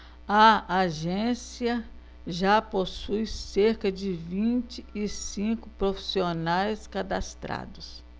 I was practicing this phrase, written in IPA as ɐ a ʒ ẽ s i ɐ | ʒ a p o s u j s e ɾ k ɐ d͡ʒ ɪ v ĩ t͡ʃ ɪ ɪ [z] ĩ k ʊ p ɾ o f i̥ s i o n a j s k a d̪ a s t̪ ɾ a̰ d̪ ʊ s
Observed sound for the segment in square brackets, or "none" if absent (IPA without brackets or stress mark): s